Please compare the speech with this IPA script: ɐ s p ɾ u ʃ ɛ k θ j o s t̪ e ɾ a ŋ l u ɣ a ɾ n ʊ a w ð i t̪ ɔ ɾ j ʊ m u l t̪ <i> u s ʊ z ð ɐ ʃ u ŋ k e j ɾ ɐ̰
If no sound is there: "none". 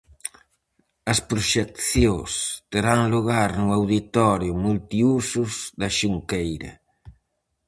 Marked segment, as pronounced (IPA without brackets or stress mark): i